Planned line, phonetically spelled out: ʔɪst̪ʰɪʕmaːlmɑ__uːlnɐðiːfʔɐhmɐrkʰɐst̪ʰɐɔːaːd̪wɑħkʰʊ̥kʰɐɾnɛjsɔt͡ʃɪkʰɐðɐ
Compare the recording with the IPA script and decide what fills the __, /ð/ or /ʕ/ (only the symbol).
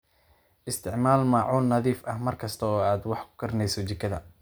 ʕ